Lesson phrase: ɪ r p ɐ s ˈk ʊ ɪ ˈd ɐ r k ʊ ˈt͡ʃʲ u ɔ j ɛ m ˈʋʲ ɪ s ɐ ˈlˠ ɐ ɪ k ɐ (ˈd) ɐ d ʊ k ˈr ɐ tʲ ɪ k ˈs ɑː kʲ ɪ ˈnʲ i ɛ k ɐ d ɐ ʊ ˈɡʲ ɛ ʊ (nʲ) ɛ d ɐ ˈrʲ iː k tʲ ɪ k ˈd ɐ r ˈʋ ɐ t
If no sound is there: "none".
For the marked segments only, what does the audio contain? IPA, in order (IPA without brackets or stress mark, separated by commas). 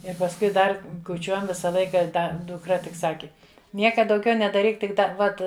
d, nʲ